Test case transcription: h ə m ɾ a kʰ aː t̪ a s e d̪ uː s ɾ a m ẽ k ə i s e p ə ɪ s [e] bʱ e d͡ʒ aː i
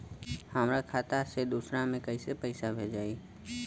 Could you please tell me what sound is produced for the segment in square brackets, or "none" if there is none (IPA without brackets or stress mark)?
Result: a